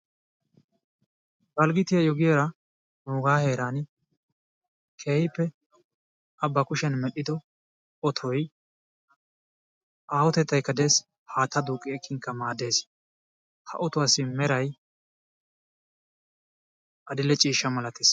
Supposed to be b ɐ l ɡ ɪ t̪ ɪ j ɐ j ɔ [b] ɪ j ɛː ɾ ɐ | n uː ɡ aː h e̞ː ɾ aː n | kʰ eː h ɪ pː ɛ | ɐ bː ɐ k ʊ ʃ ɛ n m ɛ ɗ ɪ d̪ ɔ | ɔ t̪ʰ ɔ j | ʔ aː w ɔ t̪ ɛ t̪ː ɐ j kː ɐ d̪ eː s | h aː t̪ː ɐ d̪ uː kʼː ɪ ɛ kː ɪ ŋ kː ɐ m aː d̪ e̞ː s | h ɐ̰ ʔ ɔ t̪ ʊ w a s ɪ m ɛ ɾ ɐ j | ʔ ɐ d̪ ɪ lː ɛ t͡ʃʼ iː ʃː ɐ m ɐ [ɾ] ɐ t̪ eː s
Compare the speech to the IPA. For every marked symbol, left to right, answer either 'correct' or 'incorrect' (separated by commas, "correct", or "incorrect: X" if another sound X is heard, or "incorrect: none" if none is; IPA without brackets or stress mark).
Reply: incorrect: ɡ, incorrect: l